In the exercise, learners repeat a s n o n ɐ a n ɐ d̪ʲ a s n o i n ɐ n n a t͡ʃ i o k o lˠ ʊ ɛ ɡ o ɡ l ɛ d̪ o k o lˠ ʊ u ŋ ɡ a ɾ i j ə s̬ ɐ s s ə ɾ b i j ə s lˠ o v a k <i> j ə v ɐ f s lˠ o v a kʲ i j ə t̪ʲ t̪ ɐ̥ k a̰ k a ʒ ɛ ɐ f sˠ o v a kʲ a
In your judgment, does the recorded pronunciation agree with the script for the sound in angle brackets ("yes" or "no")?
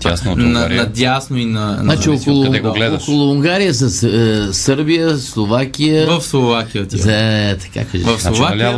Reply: yes